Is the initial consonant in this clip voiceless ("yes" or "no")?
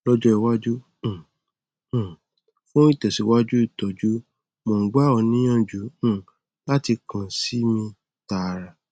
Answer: no